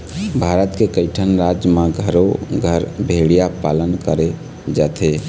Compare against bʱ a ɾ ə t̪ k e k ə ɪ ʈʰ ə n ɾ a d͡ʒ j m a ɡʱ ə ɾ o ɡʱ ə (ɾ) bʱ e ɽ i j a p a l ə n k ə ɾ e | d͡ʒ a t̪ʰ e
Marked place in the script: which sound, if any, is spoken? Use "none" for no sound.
ɾ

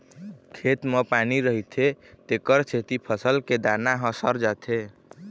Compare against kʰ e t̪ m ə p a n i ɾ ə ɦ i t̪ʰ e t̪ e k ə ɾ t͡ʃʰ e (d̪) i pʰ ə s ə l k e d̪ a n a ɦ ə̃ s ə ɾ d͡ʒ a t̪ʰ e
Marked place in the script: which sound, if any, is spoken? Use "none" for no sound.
t̪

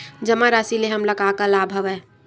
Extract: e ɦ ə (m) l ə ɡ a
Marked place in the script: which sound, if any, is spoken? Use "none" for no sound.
m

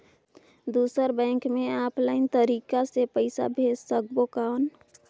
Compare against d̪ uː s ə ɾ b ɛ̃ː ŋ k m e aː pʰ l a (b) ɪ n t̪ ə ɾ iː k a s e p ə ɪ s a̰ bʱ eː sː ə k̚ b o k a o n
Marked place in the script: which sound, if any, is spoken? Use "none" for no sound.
none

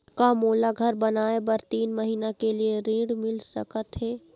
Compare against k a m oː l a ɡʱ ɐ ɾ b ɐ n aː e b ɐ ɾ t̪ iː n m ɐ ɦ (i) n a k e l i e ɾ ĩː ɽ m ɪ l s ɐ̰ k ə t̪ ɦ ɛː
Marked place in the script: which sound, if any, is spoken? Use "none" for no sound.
iː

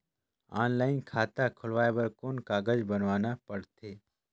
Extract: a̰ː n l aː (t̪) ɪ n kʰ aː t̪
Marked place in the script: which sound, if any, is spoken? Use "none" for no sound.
none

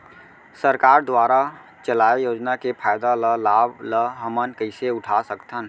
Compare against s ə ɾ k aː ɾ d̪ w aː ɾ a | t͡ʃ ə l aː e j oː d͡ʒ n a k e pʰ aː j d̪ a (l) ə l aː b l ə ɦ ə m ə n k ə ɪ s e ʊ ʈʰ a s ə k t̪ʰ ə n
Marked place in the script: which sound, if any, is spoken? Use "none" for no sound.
l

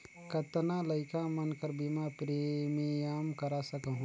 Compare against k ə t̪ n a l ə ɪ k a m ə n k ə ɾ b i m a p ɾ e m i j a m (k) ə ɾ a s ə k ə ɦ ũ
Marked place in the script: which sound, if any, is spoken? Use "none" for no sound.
k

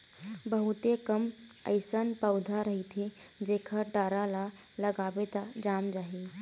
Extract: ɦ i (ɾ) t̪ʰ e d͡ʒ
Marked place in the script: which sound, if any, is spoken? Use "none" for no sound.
none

